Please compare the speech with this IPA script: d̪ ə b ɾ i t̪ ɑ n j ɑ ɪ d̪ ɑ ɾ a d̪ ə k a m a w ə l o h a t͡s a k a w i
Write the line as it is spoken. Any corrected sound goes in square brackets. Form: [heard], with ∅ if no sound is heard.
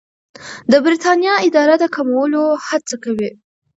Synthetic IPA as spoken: d̪ ə b ɾ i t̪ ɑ n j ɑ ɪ d̪ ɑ ɾ a d̪ ə k a m a w ə l o h a t͡s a k a w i